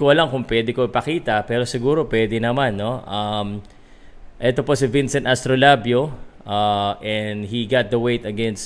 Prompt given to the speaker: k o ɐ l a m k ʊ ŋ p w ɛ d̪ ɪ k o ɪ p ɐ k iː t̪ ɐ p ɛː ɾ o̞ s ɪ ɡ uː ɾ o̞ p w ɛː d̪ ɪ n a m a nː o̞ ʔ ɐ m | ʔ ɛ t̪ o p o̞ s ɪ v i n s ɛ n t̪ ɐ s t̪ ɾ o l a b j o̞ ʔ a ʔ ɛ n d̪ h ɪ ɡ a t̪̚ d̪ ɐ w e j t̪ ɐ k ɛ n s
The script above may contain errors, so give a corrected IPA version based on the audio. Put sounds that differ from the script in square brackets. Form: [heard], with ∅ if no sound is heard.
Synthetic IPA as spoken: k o ɐ l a [ŋ] k ʊ ŋ p w ɛ d̪ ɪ k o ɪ p ɐ k iː t̪ ɐ p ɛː ɾ o̞ s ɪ ɡ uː ɾ o̞ p w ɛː d̪ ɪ n [ɐ] m a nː o̞ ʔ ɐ m | ʔ ɛ t̪ o p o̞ s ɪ v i n s ɛ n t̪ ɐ s t̪ ɾ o l a b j o̞ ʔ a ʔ ɛ n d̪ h [i] ɡ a t̪̚ d̪ ɐ w e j t̪ ɐ [ɡ] ɛ n s